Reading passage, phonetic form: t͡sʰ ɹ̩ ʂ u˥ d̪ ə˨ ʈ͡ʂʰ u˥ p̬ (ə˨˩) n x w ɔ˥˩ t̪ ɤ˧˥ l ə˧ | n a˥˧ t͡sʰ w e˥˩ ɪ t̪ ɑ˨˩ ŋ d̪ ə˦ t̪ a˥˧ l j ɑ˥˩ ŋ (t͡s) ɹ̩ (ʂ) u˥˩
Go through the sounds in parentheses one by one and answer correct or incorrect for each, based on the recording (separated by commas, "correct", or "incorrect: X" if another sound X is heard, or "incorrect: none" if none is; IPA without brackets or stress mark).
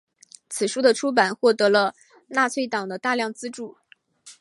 incorrect: a˨˩, correct, incorrect: ʈ͡ʂ